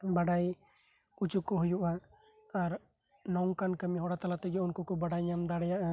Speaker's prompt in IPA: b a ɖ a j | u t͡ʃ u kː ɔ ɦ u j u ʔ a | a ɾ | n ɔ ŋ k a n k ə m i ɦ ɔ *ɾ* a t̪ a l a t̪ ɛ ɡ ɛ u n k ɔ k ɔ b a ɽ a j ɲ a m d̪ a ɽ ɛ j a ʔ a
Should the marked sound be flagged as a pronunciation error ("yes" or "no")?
yes